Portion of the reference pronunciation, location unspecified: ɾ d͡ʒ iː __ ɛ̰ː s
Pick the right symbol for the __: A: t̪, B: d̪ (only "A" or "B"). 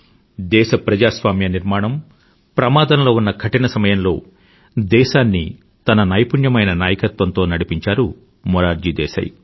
B